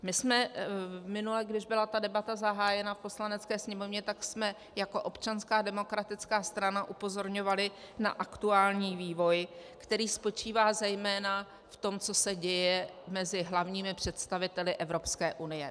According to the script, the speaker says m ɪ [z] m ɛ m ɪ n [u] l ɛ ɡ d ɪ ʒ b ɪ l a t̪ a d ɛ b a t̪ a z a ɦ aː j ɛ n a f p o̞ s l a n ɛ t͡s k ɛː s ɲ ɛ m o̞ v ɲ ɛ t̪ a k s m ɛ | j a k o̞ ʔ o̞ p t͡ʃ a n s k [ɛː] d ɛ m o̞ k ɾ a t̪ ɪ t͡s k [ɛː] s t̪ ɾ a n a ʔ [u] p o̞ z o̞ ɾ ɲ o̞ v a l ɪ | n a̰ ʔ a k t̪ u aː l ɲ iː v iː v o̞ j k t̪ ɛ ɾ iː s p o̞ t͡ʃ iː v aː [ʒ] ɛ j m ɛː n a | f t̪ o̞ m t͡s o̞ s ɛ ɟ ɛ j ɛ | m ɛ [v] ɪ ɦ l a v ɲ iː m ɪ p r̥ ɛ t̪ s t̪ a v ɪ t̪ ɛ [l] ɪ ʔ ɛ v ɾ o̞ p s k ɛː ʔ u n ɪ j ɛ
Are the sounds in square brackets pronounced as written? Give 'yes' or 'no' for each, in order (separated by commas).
no, yes, no, no, yes, no, no, yes